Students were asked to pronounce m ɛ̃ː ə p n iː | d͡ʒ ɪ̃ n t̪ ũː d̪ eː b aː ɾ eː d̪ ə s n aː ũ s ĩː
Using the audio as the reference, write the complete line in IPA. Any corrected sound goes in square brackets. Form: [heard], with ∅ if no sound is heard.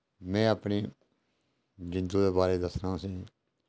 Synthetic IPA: m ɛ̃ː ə p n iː | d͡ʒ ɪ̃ n [d̪] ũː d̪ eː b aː ɾ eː d̪ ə s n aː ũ s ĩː

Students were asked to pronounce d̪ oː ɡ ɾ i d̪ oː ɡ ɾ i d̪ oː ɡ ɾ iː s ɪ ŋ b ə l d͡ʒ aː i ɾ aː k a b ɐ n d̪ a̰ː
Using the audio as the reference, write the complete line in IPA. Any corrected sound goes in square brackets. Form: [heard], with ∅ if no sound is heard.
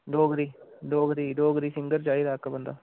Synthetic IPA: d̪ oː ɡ ɾ i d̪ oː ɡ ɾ i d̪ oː ɡ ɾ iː s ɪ ŋ [ɡ] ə [ɾ] d͡ʒ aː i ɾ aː k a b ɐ n d̪ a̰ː

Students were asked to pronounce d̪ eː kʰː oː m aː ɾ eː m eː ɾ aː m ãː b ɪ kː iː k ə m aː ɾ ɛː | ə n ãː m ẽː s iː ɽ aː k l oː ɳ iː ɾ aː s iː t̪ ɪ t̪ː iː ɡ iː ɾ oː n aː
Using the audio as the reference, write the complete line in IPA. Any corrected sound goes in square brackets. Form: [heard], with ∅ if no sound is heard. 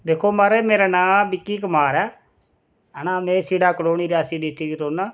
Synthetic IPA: d̪ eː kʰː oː m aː ɾ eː m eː ɾ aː [n] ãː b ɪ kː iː k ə m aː ɾ ɛː | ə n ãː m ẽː s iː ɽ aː k l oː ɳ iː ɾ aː s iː [d̪] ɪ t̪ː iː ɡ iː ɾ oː n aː

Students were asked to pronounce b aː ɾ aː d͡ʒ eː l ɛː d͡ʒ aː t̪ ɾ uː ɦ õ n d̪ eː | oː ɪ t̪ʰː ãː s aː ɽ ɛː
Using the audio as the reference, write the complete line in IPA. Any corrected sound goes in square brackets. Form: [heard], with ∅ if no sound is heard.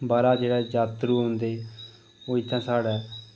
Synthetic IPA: b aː ɾ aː d͡ʒ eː [ɽ] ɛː d͡ʒ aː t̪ ɾ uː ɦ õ n d̪ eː | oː ɪ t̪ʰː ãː s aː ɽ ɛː

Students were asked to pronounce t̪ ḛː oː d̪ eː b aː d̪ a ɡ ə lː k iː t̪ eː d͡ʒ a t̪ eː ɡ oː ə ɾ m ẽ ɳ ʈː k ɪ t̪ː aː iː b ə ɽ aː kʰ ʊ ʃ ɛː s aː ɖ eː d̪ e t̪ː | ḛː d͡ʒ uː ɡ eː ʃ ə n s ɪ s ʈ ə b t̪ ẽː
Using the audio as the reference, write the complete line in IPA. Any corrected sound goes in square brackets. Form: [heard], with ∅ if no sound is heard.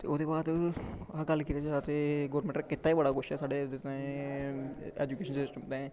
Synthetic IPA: t̪ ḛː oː d̪ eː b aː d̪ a ɡ ə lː k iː t̪ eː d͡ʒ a t̪ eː ɡ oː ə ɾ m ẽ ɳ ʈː k ɪ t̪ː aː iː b ə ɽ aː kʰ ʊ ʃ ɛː s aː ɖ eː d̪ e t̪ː | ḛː d͡ʒ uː [k] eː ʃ ə n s ɪ s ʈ ə [m] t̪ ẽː

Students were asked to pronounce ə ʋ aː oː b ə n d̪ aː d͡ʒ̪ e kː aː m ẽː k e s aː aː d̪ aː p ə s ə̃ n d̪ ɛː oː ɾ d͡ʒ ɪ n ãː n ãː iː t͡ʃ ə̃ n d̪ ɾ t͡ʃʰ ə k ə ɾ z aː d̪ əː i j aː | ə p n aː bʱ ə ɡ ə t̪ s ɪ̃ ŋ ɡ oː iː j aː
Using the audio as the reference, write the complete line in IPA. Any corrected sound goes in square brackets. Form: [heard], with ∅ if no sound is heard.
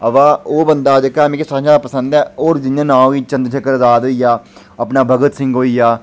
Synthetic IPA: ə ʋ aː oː b ə n d̪ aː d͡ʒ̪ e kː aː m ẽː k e s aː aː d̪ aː p ə s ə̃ n d̪ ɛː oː ɾ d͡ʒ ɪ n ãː n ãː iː t͡ʃ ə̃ n d̪ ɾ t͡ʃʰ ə k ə ɾ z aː d̪ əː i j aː | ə p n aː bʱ ə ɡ ə t̪ s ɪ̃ ŋ ɡ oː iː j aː

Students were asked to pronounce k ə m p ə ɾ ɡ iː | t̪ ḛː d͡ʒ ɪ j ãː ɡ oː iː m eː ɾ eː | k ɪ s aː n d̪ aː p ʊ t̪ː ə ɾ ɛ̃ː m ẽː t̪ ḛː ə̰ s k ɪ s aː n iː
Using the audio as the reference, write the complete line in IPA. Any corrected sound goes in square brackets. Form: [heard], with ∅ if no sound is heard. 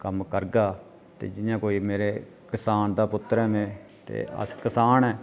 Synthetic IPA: k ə m [k] ə ɾ ɡ [aː] | t̪ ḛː d͡ʒ ɪ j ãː [k] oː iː m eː ɾ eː | k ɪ s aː n d̪ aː p ʊ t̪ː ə ɾ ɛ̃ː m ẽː t̪ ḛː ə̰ s k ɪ s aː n [ɛː]

